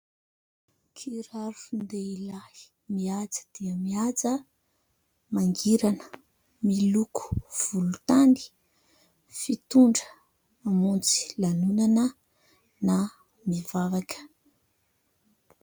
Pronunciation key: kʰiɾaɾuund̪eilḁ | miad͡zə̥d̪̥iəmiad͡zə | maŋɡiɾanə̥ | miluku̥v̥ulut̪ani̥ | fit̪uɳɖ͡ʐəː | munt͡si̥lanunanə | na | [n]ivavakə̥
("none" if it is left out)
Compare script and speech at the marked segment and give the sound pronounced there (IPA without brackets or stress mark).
m